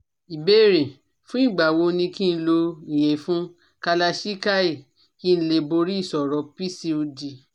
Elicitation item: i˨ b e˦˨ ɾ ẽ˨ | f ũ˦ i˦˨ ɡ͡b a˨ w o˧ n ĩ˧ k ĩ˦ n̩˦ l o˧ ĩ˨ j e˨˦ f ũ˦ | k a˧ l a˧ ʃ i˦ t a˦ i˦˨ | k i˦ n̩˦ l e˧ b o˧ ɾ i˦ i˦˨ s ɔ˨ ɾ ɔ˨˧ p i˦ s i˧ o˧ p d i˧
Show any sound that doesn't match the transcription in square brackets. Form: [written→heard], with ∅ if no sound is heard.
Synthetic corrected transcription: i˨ b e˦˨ ɾ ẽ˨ | f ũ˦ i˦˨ ɡ͡b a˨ w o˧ n ĩ˧ k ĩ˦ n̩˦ l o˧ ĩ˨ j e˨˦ f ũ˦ | k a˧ l a˧ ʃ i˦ [t→k] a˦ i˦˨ | k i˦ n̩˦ l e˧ b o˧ ɾ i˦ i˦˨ s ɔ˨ ɾ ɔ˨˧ p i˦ s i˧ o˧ [p→∅] d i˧